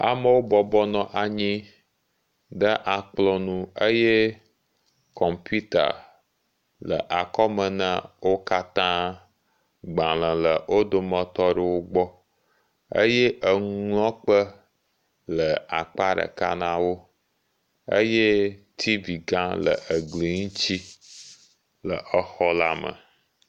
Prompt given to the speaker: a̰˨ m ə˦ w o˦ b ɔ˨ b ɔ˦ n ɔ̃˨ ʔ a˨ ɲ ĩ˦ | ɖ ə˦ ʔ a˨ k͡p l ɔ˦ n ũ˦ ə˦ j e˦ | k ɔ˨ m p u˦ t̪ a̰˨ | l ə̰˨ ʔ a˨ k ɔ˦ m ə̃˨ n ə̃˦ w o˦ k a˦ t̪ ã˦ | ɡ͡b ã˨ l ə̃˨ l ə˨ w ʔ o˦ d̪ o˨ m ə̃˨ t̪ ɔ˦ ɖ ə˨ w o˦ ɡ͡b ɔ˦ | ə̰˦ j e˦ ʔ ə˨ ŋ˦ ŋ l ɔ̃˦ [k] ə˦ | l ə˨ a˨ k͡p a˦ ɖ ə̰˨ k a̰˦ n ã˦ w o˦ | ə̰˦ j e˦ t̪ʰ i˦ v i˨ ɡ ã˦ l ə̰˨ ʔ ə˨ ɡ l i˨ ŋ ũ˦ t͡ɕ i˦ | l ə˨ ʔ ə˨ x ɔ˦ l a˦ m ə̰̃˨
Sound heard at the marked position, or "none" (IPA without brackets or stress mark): k͡p